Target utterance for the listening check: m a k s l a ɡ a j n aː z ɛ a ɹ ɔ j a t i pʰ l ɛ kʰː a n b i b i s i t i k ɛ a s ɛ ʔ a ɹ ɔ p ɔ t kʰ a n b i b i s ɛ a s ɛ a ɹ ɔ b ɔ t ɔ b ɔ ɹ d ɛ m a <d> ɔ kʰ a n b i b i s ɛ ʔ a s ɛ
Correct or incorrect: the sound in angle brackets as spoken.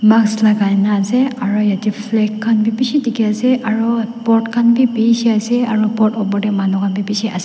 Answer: incorrect: n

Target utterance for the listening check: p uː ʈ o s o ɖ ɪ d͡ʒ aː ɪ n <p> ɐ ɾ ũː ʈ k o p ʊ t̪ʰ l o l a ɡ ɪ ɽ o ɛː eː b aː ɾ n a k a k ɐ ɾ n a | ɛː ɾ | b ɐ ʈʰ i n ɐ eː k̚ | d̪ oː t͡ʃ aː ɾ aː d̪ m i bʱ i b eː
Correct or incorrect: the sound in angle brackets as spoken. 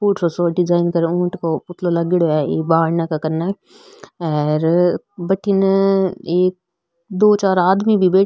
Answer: incorrect: k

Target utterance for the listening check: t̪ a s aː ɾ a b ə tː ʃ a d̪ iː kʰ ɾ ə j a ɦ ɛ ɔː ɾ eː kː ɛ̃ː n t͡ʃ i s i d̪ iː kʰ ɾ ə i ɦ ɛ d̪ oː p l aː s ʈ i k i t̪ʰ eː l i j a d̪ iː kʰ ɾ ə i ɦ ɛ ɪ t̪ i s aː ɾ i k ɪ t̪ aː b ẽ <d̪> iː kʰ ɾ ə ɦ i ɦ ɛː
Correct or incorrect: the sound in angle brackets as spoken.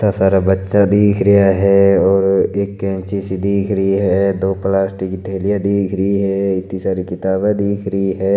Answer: correct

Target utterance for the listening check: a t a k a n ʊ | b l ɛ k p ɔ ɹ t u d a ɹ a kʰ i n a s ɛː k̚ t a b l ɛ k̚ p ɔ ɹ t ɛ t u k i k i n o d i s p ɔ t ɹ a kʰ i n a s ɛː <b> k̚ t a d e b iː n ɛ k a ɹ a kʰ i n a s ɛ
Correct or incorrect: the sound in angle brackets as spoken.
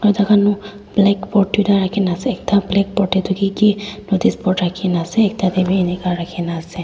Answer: incorrect: none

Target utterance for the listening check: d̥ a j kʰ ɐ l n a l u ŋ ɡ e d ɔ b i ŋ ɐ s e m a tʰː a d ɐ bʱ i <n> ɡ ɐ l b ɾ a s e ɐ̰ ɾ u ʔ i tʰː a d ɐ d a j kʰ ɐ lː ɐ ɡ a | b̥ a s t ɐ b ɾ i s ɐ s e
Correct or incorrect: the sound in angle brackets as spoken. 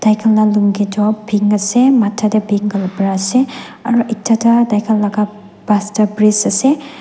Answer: incorrect: ŋ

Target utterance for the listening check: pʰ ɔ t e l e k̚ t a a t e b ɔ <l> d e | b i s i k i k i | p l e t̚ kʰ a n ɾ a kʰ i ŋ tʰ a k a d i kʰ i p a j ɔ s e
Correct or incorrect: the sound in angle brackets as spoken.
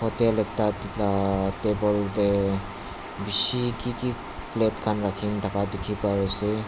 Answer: correct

